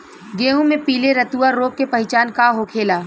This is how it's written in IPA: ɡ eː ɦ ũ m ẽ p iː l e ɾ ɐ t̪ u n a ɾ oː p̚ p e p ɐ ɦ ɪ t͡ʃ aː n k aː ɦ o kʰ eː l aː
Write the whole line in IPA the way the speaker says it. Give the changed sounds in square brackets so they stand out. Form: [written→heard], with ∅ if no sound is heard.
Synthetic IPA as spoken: ɡ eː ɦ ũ m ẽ p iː l e ɾ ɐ t̪ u [n→∅] a ɾ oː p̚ [p→k] e p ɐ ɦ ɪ t͡ʃ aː n k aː ɦ o kʰ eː l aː